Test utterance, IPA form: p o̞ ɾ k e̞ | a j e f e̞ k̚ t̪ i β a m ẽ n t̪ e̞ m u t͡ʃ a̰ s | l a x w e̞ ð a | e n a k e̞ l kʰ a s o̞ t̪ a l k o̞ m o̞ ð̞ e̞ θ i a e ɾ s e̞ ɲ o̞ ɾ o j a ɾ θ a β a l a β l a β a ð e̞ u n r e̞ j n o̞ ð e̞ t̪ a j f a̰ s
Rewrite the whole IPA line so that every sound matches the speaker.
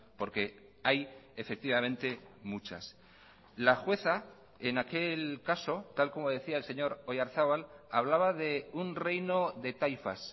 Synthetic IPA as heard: p o̞ ɾ k e̞ | a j e f e̞ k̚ t̪ i β a m ẽ n t̪ e̞ m u t͡ʃ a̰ s | l a x w e̞ θ a | e n a k e̞ l k a s o̞ t̪ a l k o̞ m o̞ ð̞ e̞ θ i a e l s e̞ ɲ o̞ ɾ o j a ɾ θ a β a l a β l a β a ð e̞ u n r e̞ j n o̞ ð e̞ t̪ a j f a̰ s